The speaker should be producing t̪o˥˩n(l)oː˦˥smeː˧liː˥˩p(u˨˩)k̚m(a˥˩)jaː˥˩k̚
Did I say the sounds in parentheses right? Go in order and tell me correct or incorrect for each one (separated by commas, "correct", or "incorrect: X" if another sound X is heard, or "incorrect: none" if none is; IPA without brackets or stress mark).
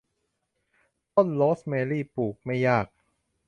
correct, incorrect: uː˨˩, correct